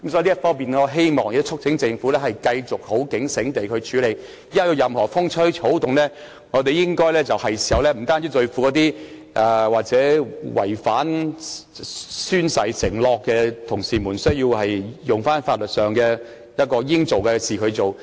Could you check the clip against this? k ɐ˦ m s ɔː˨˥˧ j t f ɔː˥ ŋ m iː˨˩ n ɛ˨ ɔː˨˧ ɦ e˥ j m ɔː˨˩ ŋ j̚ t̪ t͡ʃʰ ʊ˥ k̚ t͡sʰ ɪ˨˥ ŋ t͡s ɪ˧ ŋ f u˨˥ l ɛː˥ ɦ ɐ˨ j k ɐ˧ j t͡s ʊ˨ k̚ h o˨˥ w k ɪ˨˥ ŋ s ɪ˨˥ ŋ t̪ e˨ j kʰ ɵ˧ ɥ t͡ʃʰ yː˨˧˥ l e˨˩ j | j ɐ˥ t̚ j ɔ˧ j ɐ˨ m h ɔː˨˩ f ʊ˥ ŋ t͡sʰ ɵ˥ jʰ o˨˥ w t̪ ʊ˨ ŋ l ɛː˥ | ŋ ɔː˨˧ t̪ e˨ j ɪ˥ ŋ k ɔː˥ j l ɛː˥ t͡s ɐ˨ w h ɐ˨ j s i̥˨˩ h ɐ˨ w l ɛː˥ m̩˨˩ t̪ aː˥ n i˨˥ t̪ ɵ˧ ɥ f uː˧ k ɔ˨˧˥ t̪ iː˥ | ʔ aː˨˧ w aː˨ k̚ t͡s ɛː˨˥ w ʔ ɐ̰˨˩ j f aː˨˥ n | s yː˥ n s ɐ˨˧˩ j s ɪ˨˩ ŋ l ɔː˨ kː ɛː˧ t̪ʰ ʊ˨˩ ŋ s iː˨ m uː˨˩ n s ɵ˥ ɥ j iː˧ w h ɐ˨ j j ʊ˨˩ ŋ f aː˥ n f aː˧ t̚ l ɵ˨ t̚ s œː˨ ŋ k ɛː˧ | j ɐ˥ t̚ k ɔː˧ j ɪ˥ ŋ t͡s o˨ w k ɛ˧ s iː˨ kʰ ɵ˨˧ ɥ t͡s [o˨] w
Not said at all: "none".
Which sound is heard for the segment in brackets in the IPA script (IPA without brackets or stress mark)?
o˨